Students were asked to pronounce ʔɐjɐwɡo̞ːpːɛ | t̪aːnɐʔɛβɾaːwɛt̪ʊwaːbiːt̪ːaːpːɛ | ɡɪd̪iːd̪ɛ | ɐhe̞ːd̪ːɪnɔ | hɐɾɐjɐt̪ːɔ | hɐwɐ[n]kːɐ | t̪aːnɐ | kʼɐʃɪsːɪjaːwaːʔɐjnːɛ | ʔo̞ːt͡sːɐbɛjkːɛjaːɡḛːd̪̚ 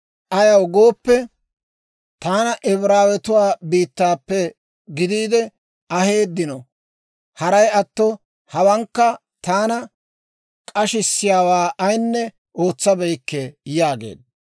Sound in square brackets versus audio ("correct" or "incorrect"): incorrect